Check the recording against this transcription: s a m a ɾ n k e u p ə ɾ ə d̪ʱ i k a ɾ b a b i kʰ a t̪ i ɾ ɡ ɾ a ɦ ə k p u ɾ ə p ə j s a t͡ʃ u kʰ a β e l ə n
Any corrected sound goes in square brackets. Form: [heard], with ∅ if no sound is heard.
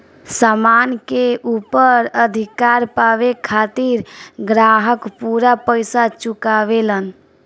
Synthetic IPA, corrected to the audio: s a m a [∅] n k e u p ə ɾ ə d̪ʱ i k a ɾ [p] a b [e] kʰ a t̪ i ɾ ɡ ɾ a ɦ ə k p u ɾ [a] p ə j s a t͡ʃ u [k] a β e l ə n